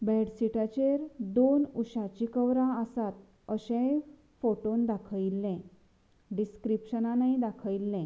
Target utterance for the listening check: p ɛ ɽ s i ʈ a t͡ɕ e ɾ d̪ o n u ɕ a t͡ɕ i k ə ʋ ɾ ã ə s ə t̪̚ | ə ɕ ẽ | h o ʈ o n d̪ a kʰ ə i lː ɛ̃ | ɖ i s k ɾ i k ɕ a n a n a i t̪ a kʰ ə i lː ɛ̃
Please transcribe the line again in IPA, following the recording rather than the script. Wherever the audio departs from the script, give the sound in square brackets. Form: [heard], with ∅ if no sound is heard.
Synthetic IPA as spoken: [b] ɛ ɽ s i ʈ a t͡ɕ e ɾ d̪ o n u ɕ a t͡ɕ i k ə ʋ ɾ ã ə s [a] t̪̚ | ə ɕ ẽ | [f] o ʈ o n d̪ a kʰ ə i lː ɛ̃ | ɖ i s k ɾ i [p] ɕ [ə] n a n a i [d̪] a kʰ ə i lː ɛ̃